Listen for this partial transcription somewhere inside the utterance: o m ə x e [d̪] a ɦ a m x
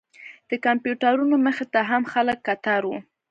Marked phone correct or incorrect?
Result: incorrect